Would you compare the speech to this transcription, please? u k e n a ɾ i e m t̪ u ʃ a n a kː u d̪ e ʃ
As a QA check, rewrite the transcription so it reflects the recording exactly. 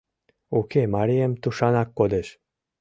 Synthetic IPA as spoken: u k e m a ɾ i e m t̪ u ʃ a n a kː o d̪ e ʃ